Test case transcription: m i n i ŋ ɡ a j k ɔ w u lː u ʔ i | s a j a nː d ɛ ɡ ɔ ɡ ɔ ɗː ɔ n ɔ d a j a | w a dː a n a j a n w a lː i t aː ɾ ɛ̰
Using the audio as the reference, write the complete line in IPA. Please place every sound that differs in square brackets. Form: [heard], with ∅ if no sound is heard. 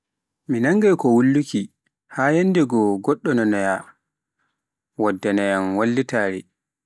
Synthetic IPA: m i n [a] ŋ ɡ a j k ɔ w u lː u [k] i | [h] a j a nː d ɛ ɡ ɔ ɡ ɔ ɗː ɔ n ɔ [n] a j a | w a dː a n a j a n w a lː i t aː ɾ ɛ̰